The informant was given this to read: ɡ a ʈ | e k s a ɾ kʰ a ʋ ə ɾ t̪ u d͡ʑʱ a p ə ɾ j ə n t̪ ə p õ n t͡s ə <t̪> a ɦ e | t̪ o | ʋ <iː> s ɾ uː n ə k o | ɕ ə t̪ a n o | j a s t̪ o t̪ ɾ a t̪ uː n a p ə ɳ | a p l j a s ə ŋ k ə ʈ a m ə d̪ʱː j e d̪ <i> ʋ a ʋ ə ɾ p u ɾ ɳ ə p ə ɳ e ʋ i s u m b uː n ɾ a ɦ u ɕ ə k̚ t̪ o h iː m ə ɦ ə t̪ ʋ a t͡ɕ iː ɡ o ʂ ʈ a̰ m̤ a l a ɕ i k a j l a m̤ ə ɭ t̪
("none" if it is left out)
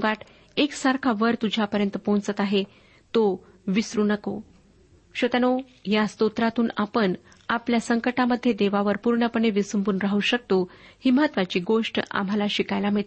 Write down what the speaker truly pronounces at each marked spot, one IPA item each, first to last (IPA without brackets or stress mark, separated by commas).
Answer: t̪, i, e